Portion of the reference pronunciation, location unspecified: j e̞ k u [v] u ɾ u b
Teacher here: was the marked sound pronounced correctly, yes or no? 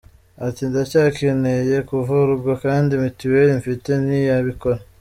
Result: yes